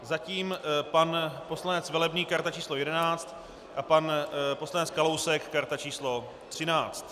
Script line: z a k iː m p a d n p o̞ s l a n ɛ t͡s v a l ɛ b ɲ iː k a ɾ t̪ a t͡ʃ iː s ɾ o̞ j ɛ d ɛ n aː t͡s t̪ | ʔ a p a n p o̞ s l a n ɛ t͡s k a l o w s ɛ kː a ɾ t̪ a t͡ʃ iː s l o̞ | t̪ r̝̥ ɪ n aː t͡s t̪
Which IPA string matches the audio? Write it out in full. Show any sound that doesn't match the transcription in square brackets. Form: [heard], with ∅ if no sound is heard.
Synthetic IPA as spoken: z a [c] iː m p a [∅] n p o̞ s l a n ɛ t͡s v [ɛ] l ɛ b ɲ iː k a ɾ t̪ a t͡ʃ iː s [l] o̞ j ɛ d ɛ n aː t͡s t̪ | ʔ a p a n p o̞ s l a n ɛ t͡s k a l o w s ɛ kː a ɾ t̪ a t͡ʃ iː s l o̞ | t̪ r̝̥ ɪ n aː t͡s t̪